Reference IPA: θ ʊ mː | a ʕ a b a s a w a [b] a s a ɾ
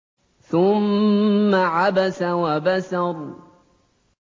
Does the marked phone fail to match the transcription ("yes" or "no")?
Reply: no